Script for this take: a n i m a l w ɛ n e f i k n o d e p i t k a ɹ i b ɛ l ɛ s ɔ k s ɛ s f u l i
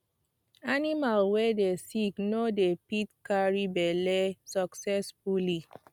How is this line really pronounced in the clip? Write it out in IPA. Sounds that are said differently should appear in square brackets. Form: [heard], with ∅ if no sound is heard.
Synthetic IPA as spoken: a n i m a l w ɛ [d] e [s] i k n o d e p i t k a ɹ i b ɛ l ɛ s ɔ k s ɛ s f u l i

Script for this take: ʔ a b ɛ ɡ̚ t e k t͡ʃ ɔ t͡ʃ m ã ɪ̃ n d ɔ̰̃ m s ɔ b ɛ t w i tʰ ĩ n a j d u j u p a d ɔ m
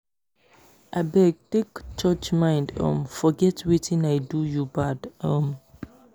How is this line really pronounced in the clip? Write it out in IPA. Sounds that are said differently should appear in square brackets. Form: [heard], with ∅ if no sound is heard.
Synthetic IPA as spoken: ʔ a b ɛ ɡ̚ t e k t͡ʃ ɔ t͡ʃ m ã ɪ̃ n d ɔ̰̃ m [f] ɔ [ɡ] ɛ t w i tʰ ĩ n a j d u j u [b] a d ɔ m

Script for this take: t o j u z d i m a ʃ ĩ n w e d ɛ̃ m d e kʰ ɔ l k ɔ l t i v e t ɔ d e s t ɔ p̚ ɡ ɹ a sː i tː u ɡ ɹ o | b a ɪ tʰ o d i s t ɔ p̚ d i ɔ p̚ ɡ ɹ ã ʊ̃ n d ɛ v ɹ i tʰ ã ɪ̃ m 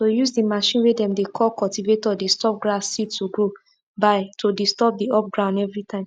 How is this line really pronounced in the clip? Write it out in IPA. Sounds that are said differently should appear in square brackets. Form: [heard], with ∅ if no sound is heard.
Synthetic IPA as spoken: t o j u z d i m a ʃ ĩ n w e d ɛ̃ m d e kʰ ɔ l k ɔ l t i v e t ɔ d e s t ɔ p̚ ɡ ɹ a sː i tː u ɡ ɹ o | b a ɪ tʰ o d i s t ɔ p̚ d i ɔ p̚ ɡ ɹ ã ʊ̃ n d ɛ v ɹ i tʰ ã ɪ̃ m

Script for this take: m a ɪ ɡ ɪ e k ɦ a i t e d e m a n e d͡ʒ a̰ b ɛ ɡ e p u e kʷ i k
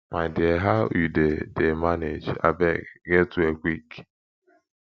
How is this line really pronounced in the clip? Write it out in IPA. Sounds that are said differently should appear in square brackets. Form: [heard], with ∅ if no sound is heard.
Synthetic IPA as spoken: m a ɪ [d] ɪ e [∅] ɦ a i [d] e d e m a n e d͡ʒ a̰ b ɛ ɡ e [t] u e kʷ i k

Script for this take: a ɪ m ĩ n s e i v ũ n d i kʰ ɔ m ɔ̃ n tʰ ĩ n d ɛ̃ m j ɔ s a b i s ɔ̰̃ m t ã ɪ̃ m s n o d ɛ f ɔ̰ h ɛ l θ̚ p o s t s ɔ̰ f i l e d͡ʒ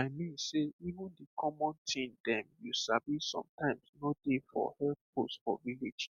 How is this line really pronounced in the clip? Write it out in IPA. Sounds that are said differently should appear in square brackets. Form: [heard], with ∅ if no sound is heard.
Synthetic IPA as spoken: a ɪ m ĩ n s e i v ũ n d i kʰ ɔ m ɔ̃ n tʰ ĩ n d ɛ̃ m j [u] s a b i s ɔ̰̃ m t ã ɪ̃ m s n o d [e] f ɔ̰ h ɛ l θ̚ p o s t [f] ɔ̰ [v] i l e d͡ʒ

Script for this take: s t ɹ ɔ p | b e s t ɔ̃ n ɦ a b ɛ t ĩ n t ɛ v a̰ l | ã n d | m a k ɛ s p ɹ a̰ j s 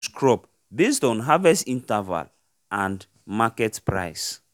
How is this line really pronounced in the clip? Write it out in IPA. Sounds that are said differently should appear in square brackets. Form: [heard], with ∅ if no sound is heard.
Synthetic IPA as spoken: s [k] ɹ ɔ p | b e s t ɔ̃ n ɦ a [v] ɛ [s] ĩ n t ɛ v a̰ l | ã n d | m a k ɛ [t] p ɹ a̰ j s

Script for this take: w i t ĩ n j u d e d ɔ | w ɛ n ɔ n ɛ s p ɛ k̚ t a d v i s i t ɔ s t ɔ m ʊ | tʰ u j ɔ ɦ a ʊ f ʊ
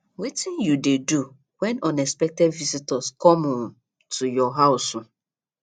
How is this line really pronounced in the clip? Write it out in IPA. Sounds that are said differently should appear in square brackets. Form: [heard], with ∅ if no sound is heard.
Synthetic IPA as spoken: w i t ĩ n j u d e d [u] | w ɛ n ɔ n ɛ s p ɛ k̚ t [ɛ] d v i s i t ɔ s [k] ɔ m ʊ | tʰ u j ɔ ɦ a ʊ [s] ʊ

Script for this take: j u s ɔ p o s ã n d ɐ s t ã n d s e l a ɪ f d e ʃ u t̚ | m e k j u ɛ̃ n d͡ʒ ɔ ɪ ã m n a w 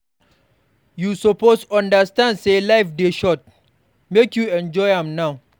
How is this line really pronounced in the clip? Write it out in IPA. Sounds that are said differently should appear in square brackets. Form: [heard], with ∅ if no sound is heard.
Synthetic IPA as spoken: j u s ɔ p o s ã n d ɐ s t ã n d s e l a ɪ f d e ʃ [ɔ] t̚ | m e k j u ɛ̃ n d͡ʒ ɔ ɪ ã m n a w

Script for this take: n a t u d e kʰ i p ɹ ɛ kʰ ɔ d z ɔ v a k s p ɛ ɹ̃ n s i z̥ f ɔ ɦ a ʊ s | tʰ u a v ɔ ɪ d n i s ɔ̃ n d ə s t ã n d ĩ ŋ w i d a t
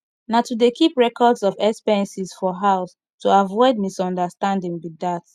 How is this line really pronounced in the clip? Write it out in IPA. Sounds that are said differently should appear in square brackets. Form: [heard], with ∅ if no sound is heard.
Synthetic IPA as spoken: n a t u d e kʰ i p ɹ ɛ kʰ ɔ d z ɔ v [ɛ] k s p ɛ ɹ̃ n s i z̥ f ɔ ɦ a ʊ s | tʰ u a v ɔ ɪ d [m] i s ɔ̃ n d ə s t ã n d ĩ ŋ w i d a t

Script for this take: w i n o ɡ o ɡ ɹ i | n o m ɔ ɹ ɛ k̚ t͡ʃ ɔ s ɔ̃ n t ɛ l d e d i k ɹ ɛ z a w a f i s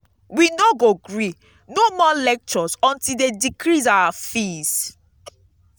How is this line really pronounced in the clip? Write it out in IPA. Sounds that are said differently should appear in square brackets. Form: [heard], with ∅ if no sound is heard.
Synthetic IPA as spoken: w i n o ɡ o ɡ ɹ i | n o m ɔ [l] ɛ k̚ t͡ʃ ɔ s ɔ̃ n t [i] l d e d i k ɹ [i] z a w a f i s

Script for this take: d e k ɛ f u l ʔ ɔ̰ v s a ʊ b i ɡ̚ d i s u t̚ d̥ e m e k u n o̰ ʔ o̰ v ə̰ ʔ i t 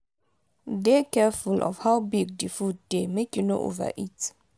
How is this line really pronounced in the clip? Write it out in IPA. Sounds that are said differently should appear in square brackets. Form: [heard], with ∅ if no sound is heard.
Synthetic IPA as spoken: d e k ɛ f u l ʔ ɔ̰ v [h] a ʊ b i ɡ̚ d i [f] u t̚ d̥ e m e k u n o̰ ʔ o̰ v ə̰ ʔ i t

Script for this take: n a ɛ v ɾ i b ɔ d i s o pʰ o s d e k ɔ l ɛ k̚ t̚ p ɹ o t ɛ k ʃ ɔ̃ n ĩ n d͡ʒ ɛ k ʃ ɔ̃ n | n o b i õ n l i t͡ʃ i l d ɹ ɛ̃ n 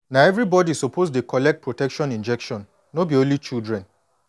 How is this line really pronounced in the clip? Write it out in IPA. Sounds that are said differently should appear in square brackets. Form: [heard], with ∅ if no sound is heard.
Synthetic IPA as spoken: n a ɛ v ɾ i b ɔ d i s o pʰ o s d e k ɔ l ɛ k̚ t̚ p ɹ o t ɛ k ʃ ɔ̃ n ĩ n d͡ʒ ɛ k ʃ ɔ̃ n | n o b i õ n l i t͡ʃ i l d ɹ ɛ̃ n

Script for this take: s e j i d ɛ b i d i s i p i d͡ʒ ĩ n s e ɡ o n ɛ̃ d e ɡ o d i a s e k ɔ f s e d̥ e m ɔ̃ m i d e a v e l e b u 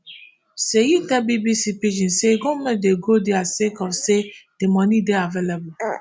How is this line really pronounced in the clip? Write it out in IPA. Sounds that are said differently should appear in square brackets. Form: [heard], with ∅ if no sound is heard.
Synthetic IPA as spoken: s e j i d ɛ b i [b] i s i p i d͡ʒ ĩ n s e ɡ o [m] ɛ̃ d e ɡ o d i a s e k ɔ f s e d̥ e m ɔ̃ [n] i d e a v e l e b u

